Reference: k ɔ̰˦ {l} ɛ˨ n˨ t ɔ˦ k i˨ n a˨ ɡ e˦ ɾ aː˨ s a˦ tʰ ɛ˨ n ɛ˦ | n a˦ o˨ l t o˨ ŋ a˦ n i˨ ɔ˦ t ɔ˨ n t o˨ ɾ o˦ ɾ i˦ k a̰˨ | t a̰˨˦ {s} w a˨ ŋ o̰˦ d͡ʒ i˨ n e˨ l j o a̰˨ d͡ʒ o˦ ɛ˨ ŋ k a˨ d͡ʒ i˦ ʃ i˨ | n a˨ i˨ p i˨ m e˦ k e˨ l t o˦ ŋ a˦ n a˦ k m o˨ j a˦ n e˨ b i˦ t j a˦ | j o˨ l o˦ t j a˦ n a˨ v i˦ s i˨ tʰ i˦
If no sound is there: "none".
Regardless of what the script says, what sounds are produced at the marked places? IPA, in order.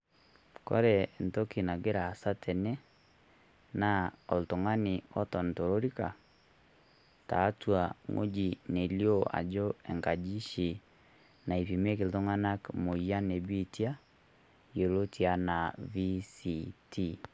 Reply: ɾ, t

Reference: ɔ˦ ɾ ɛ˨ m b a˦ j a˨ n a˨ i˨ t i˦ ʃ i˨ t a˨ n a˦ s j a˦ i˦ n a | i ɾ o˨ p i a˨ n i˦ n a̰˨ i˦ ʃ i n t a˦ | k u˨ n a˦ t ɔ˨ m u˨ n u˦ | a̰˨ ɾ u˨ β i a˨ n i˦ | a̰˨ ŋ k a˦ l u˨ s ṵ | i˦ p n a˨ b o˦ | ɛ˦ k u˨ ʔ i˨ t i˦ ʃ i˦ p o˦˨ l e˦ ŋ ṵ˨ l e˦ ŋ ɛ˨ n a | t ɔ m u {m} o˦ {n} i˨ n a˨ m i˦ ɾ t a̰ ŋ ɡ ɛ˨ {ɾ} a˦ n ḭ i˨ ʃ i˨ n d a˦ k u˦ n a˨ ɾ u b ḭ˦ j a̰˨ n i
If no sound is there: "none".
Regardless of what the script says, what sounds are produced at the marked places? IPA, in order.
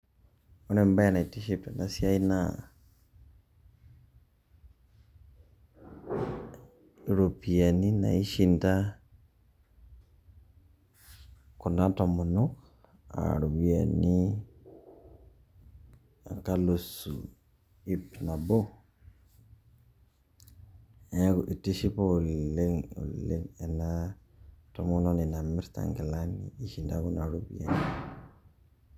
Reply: n, n, l

